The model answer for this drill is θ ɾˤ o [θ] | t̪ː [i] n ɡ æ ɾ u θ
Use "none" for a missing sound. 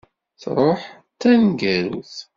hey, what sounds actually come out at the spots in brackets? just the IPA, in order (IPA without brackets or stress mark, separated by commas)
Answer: ħ, æ